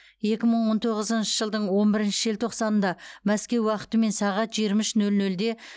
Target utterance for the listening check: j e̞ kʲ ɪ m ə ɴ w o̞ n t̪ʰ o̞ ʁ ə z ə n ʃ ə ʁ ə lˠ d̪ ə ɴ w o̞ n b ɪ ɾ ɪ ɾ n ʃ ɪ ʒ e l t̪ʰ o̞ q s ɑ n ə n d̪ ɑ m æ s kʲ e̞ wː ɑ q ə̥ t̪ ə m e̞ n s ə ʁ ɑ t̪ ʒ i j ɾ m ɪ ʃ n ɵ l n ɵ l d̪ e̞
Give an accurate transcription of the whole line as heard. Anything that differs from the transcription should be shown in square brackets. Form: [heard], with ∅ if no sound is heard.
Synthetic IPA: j e̞ kʲ ɪ m ə ɴ w o̞ n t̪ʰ o̞ ʁ ə z ə n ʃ ə [ʒ] ə lˠ d̪ ə ɴ w o̞ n b ɪ ɾ ɪ [∅] n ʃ ɪ ʒ e l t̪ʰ o̞ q s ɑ n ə n d̪ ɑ m æ s kʲ e̞ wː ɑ q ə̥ t̪ ə m e̞ n s [ɑ] ʁ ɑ t̪ ʒ i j ɾ m ɪ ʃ n ɵ l n ɵ l d̪ e̞